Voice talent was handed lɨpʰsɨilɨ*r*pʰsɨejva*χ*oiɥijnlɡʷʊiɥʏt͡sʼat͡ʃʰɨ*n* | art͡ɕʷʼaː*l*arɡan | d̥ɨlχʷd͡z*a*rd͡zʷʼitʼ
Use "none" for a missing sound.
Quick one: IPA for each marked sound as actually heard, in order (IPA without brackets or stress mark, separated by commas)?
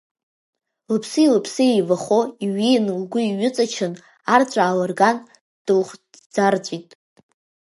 none, χ, n, l, a